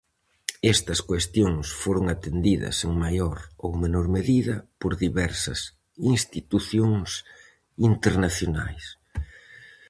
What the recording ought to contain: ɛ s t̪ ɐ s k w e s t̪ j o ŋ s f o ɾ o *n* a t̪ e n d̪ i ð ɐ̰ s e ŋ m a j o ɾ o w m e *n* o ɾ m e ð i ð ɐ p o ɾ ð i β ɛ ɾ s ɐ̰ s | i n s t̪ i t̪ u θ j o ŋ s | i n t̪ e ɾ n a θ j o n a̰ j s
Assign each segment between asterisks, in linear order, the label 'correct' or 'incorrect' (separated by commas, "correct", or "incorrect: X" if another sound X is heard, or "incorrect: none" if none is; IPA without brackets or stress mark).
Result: incorrect: ŋ, correct